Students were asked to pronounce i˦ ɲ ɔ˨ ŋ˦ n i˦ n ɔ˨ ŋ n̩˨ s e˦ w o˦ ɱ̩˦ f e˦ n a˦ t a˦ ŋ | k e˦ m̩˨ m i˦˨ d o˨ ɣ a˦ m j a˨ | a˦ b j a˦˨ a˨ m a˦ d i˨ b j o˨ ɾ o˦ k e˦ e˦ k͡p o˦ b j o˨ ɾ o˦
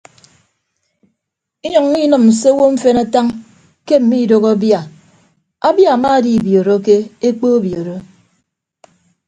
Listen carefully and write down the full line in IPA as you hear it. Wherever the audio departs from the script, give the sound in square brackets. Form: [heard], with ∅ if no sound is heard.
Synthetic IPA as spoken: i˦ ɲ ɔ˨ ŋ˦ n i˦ n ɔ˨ [m] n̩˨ s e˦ w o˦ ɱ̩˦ f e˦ n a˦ t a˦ ŋ | k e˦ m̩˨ m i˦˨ d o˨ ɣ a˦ [b] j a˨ | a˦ b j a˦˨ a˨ m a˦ d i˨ b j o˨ ɾ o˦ k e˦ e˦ k͡p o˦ b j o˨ ɾ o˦